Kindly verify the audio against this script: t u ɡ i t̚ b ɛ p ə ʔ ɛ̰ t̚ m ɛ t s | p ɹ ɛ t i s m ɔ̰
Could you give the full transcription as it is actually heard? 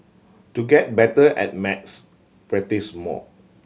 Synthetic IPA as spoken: t u ɡ ɛ t̚ b ɛ t ə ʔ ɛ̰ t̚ m ɛ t s | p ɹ ɛ t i s m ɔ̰